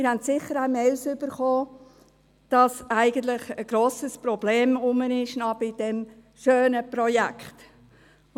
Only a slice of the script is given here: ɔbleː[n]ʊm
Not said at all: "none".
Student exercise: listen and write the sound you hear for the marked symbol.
m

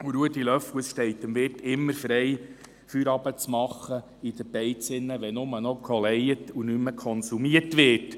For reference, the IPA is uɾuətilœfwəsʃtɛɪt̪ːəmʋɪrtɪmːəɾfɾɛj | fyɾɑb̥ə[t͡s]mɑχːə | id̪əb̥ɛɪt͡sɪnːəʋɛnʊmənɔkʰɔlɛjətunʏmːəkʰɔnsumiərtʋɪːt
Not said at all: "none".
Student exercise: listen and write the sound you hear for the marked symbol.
t͡s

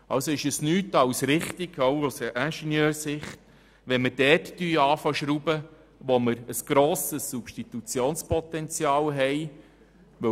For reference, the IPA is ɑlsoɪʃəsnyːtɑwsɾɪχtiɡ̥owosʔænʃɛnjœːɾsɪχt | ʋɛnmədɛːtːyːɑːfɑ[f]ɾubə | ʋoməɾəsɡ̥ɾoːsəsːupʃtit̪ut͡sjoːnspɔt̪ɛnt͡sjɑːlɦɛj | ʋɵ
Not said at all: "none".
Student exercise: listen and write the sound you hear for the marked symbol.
ʃ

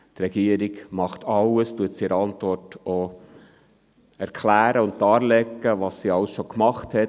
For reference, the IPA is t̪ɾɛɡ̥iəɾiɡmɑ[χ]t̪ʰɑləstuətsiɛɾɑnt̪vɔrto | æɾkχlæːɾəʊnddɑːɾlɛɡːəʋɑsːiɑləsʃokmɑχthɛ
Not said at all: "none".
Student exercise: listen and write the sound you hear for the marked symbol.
χ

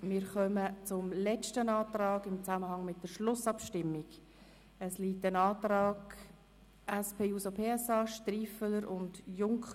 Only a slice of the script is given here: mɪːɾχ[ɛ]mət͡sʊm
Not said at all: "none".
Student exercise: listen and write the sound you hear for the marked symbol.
œ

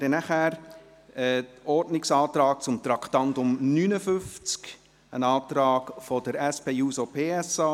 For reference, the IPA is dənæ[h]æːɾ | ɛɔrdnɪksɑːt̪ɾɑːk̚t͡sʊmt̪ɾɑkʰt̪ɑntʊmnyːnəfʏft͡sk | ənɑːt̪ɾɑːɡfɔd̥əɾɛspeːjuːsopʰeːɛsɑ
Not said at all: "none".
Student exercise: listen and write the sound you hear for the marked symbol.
χ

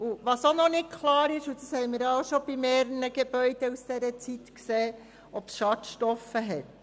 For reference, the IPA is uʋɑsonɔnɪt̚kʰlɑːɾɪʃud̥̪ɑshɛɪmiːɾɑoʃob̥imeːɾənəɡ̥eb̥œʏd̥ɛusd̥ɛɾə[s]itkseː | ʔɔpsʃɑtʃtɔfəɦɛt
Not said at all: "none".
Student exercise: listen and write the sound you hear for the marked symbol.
t͡s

